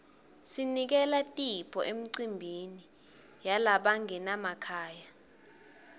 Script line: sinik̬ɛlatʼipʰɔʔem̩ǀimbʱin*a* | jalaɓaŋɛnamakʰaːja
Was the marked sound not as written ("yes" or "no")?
yes